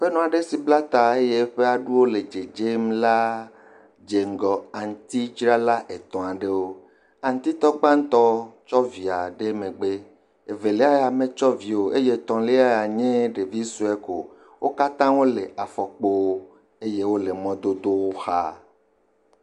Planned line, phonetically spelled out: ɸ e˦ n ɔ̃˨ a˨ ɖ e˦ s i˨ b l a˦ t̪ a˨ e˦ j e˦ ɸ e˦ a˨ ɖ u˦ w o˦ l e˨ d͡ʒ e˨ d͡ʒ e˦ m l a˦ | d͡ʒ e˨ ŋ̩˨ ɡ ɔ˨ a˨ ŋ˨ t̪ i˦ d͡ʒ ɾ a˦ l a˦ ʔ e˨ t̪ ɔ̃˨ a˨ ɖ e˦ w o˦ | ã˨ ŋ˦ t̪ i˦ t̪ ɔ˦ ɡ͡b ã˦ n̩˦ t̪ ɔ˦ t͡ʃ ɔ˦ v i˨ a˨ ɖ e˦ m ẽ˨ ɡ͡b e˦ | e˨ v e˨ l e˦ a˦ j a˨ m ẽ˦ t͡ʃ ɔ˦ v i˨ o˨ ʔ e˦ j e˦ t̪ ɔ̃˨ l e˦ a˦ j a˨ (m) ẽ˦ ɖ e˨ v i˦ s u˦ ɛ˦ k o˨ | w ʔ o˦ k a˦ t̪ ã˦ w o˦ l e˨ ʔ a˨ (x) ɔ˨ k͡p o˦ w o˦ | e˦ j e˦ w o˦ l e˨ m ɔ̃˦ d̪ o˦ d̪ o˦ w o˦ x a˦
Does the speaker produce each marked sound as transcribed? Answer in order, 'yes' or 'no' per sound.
no, no

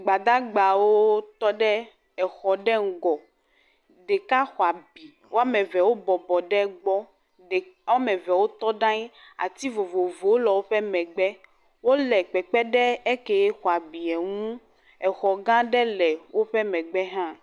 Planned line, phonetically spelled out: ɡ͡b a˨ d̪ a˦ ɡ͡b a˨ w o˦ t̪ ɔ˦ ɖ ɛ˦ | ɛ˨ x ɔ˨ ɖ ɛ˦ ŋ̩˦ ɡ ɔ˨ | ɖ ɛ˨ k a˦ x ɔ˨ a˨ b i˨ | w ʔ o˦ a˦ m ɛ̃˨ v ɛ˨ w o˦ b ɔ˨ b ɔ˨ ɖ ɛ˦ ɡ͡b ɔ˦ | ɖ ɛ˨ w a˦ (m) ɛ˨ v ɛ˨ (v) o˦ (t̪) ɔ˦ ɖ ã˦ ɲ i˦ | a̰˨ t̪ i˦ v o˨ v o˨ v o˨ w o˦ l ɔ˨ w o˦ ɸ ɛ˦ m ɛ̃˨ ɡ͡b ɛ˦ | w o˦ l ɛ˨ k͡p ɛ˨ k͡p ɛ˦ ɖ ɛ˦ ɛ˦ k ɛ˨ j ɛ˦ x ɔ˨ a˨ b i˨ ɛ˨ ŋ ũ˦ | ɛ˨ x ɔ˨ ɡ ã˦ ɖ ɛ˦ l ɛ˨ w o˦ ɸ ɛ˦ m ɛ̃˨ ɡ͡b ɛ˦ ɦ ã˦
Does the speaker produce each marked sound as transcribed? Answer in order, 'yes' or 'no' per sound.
yes, no, yes

